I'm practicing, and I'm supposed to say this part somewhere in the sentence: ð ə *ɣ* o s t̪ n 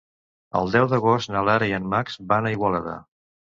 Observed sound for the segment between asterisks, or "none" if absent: ɣ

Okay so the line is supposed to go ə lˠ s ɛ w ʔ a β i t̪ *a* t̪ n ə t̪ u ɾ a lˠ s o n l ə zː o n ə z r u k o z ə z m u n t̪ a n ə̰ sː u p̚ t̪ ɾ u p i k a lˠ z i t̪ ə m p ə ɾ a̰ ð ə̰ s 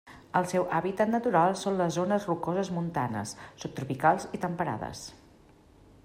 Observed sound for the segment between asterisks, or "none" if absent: ə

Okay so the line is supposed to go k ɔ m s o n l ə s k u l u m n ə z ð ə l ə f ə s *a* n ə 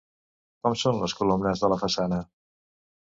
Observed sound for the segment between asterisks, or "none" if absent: a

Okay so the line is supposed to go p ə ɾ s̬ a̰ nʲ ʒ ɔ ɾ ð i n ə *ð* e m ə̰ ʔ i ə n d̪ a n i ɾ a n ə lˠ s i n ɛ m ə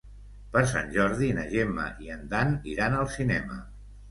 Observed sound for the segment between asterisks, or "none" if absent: ʒ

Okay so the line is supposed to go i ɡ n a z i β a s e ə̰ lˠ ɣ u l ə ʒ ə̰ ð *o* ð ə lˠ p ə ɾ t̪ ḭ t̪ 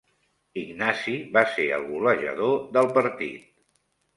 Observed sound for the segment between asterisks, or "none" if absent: o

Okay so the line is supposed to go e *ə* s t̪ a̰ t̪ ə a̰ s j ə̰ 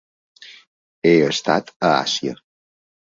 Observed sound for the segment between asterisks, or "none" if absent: ə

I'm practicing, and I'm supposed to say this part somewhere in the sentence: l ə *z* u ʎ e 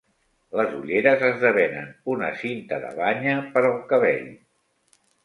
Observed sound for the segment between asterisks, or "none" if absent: z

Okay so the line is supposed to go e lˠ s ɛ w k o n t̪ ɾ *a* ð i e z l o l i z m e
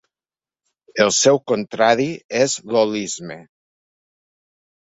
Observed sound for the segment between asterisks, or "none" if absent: a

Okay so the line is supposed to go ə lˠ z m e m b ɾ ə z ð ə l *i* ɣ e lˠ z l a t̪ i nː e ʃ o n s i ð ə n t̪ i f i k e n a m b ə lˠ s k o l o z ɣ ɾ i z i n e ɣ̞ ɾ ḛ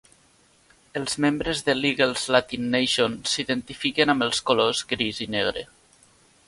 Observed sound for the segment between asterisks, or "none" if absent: i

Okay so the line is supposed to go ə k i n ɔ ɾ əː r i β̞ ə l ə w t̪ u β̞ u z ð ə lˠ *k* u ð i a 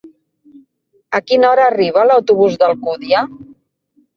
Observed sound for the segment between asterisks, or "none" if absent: k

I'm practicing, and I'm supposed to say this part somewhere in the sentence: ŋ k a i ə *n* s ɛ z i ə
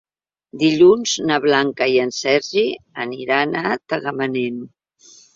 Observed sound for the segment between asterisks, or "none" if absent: n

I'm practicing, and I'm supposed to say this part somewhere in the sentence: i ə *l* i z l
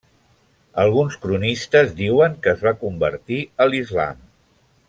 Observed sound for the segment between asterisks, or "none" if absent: l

